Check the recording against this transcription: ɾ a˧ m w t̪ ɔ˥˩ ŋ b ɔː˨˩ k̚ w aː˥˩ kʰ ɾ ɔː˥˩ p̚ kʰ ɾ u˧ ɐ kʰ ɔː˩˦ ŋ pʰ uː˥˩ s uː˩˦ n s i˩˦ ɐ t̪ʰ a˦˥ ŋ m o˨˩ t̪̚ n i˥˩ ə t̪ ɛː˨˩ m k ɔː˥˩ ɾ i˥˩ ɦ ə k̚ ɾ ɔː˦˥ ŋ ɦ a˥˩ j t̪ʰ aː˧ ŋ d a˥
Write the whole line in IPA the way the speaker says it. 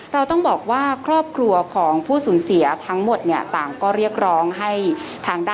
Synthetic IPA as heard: ɾ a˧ w t̪ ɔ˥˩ ŋ b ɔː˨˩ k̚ w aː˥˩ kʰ ɾ ɔː˥˩ p̚ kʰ ɾ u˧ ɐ kʰ ɔː˩˦ ŋ pʰ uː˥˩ s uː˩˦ n s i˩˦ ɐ t̪ʰ a˦˥ ŋ m o˨˩ t̪̚ n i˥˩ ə t̪ aː˨˩ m k ɔː˥˩ ɾ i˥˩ ə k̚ ɾ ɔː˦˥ ŋ ɦ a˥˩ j t̪ʰ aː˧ ŋ d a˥